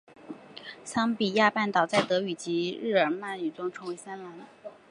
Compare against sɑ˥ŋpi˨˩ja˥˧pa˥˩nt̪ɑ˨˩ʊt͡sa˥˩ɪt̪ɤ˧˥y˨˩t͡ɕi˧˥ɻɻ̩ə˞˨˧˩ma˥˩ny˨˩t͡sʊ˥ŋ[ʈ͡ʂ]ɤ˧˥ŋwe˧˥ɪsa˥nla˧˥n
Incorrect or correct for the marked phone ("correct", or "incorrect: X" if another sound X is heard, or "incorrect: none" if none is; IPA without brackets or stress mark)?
incorrect: ʈ͡ʂʰ